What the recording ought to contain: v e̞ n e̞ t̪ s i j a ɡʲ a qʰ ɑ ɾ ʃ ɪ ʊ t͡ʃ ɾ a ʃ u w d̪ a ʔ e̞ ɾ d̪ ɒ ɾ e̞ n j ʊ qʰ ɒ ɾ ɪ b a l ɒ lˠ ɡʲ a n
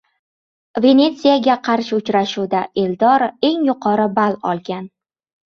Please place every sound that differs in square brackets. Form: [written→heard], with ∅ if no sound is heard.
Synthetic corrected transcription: v e̞ n e̞ t̪ s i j a ɡʲ a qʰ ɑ ɾ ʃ ɪ ʊ t͡ʃ ɾ a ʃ u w d̪ a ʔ e̞ [ɾ→l] d̪ ɒ ɾ e̞ [n→ŋ] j ʊ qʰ ɒ ɾ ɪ b a l ɒ lˠ ɡʲ a n